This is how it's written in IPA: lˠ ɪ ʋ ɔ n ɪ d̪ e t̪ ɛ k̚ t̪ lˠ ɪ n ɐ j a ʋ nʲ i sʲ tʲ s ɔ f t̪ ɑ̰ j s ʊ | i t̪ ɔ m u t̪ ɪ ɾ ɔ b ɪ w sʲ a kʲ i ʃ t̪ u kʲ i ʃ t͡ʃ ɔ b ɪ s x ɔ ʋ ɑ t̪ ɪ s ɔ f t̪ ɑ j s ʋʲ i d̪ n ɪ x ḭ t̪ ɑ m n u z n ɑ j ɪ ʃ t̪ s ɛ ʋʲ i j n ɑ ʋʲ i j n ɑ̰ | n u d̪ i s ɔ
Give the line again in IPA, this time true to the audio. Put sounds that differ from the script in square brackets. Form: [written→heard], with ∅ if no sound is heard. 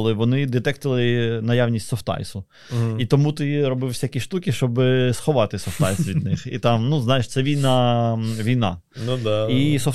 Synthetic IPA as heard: lˠ ɪ ʋ ɔ n ɪ d̪ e t̪ ɛ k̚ t̪ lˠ ɪ n ɐ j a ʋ nʲ i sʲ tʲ s ɔ f t̪ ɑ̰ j s ʊ | i t̪ ɔ m u t̪ ɪ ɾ ɔ b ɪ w sʲ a kʲ i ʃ t̪ u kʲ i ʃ t͡ʃ ɔ b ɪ s x ɔ ʋ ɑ t̪ ɪ s ɔ f t̪ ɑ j s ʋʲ i d̪ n ɪ x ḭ t̪ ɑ m n u z n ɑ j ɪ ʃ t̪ s ɛ ʋʲ i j n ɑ ʋʲ i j n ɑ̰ | n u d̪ i s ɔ